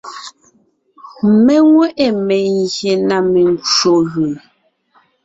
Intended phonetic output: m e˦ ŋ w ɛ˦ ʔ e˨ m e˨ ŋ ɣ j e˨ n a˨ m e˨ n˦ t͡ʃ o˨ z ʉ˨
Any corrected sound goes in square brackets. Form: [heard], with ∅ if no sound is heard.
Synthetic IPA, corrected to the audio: m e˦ ŋ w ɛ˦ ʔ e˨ m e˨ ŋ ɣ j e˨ n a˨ m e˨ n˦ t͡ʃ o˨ [ɣ] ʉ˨